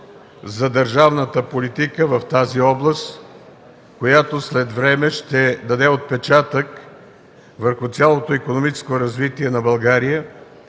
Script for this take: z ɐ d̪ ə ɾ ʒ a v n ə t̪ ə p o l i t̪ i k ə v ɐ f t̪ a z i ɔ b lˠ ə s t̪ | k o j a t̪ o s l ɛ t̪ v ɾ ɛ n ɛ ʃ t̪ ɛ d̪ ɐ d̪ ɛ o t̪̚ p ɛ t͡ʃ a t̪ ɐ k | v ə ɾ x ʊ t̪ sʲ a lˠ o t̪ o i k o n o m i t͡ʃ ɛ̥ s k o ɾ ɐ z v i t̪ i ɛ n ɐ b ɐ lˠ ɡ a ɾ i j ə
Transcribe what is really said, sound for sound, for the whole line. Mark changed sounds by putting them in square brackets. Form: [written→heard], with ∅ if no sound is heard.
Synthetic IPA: z ɐ d̪ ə ɾ ʒ a v n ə t̪ ə p o l i t̪ i k ə v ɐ f t̪ a z i ɔ b lˠ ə s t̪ | k o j a t̪ o s l ɛ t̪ v ɾ ɛ [n→m] ɛ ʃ t̪ ɛ d̪ ɐ d̪ ɛ o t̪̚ p ɛ t͡ʃ a t̪ [ɐ→ə] k | v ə ɾ x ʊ t̪ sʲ a lˠ o t̪ o i k o n o m i t͡ʃ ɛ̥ s k o ɾ ɐ z v i t̪ i ɛ n ɐ b ɐ lˠ ɡ a ɾ i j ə